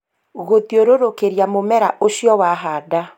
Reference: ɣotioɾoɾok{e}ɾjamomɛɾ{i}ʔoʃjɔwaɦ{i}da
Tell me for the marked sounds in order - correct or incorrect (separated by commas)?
correct, incorrect, incorrect